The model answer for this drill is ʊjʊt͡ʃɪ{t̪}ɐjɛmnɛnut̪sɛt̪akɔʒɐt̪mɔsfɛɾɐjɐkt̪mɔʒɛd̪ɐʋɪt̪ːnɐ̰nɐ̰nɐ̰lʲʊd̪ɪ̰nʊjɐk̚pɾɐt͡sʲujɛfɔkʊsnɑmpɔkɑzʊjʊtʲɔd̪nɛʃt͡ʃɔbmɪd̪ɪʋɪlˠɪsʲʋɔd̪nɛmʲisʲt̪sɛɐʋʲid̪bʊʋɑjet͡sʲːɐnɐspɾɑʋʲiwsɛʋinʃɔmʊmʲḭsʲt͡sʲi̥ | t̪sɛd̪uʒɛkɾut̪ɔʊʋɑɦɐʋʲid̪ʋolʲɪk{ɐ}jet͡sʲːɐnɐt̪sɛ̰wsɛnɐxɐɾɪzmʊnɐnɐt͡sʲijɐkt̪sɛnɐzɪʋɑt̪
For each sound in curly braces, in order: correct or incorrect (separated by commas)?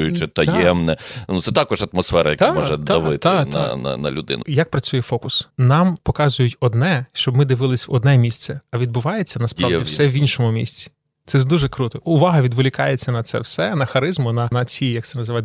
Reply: correct, incorrect